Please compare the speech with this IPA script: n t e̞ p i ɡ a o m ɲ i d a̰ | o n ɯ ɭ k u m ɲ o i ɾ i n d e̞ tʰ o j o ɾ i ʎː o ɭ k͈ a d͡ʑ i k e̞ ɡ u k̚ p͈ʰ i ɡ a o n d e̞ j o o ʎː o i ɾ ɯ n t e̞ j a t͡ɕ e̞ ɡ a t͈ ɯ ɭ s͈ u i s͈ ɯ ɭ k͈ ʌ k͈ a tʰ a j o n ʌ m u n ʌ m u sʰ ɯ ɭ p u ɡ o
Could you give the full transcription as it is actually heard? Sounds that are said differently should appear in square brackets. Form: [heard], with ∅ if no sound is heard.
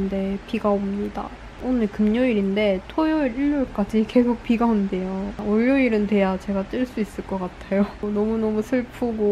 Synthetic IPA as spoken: n [d] e̞ p i ɡ a o m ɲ i d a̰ | o n ɯ ɭ k [ɯ] m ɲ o i ɾ i n d e̞ tʰ o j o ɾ i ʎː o ɭ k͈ a d͡ʑ i k e̞ ɡ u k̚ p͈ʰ i ɡ a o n d e̞ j o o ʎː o i ɾ ɯ n t e̞ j a t͡ɕ e̞ ɡ a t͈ ɯ ɭ s͈ u i s͈ ɯ ɭ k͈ ʌ k͈ a tʰ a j o n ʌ m u n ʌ m u sʰ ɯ ɭ [pʰ] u ɡ o